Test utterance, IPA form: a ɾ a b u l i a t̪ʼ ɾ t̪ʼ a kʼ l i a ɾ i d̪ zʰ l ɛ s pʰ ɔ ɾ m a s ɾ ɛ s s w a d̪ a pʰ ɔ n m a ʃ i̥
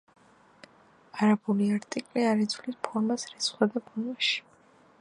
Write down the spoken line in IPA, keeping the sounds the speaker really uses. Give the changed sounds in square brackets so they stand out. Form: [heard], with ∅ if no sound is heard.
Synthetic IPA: a ɾ a b u l i a [∅] ɾ t̪ʼ [i] kʼ l i a ɾ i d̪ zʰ l [i] s pʰ ɔ ɾ m a s ɾ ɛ s [χ] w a d̪ a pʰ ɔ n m a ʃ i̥